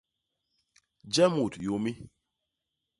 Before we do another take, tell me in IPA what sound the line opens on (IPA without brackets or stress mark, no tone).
d͡ʒ